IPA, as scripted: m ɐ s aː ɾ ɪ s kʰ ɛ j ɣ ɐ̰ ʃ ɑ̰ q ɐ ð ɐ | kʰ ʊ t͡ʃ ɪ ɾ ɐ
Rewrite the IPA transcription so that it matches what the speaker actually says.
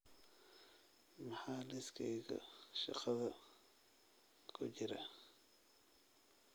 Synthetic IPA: m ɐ ħ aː l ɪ s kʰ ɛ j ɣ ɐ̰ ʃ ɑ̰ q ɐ ð ɐ | kʰ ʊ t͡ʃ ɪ ɾ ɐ